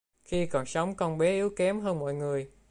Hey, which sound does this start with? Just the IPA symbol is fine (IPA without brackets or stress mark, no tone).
x